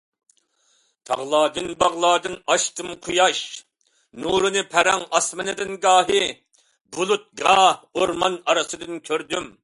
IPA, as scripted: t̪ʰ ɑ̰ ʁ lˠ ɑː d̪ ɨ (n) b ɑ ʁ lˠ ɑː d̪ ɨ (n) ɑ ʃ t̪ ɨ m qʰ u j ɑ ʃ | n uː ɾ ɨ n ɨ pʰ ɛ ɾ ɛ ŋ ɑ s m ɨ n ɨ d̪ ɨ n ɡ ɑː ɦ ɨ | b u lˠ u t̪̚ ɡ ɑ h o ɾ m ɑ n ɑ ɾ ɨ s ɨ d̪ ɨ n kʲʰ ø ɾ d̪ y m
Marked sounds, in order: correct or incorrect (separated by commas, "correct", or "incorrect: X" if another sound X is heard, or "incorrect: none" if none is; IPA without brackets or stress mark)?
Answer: correct, correct